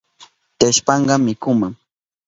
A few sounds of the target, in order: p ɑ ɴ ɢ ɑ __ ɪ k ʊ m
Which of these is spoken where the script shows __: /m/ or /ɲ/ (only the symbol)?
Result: m